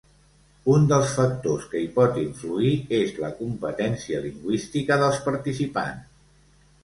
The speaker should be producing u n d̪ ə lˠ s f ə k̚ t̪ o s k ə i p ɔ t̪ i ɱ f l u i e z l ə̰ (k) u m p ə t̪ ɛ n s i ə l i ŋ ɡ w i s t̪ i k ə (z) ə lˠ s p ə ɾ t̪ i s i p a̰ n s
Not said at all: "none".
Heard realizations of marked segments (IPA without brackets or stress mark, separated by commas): k, ð